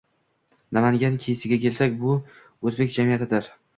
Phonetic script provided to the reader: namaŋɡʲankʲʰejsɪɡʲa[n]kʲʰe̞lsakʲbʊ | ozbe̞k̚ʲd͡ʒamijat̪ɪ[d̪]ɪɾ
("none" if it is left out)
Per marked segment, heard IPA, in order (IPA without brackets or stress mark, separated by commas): none, d̪